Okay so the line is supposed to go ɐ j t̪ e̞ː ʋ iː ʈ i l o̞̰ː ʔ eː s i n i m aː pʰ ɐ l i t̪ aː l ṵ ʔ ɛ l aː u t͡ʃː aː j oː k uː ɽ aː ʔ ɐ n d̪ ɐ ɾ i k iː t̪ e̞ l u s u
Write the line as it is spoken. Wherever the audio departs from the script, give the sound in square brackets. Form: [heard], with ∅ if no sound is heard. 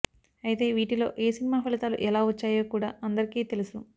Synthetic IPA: ɐ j t̪ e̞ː ʋ iː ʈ i l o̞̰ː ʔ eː s i n i m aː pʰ ɐ l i t̪ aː l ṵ ʔ ɛ l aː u t͡ʃː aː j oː k uː ɽ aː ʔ ɐ n d̪ ɐ ɾ i k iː t̪ e̞ l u s u